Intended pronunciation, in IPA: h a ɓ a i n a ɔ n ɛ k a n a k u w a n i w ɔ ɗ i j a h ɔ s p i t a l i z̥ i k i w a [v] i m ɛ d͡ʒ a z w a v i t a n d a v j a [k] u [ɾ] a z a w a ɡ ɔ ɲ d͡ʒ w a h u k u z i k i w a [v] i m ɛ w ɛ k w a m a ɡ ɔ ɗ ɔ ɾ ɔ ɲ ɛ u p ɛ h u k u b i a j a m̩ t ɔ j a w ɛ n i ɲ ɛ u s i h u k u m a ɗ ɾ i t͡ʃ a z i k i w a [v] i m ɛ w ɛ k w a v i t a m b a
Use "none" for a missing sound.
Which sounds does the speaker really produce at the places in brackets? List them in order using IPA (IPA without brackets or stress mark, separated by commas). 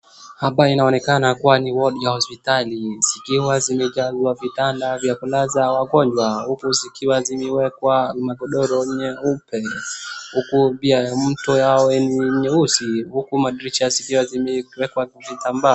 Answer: z, k, l, z, z